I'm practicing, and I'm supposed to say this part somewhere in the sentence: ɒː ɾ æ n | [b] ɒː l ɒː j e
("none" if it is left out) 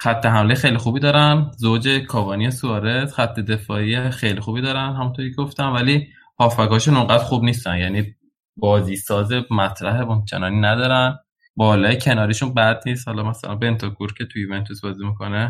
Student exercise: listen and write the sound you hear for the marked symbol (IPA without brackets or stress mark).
b